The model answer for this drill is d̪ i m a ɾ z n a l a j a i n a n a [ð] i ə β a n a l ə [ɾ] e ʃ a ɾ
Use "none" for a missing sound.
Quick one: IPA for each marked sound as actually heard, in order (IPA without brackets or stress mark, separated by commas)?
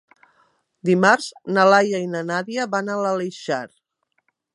ð, l